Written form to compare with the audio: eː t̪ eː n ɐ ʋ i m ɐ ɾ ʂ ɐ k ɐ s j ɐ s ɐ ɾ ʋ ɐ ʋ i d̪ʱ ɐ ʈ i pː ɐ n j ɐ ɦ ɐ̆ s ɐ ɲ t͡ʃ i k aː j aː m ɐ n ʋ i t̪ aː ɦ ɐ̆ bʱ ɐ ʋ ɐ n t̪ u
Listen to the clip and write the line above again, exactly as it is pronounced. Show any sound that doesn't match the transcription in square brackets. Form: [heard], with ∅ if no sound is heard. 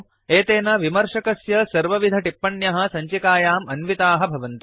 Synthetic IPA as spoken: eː t̪ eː n ɐ ʋ i m ɐ ɾ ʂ ɐ k ɐ s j ɐ s ɐ ɾ ʋ ɐ ʋ i d̪ʱ ɐ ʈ i pː ɐ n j ɐ ɦ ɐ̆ s ɐ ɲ t͡ʃ i k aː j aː m ɐ n ʋ i t̪ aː ɦ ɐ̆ bʱ ɐ ʋ ɐ n t̪ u